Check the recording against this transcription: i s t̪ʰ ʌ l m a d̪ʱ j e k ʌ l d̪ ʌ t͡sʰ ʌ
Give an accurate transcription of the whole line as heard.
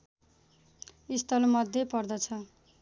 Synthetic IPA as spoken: i s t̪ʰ ʌ l m ʌ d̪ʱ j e p ʌ r d̪ ʌ t͡sʰ ʌ